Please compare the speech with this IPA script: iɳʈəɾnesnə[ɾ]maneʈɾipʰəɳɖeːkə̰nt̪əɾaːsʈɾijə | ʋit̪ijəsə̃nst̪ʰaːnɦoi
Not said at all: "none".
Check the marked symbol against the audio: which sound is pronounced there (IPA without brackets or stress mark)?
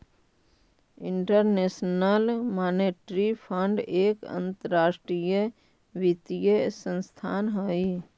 l